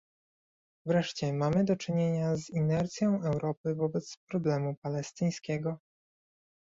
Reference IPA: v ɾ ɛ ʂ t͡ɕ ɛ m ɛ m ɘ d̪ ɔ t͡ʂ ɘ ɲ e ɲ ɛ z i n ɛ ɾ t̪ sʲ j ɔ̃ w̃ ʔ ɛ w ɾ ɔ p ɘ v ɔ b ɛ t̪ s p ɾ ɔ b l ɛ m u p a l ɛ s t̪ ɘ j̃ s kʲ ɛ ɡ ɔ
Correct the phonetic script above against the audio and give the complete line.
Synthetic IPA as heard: v ɾ ɛ ʂ t͡ɕ ɛ m a m ɘ d̪ ɔ t͡ʂ ɘ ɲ e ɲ a z i n ɛ ɾ t̪ sʲ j ɔ̃ w̃ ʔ ɛ w ɾ ɔ p ɘ v ɔ b ɛ t̪ s p ɾ ɔ b l ɛ m u p a l ɛ s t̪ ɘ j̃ s kʲ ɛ ɡ ɔ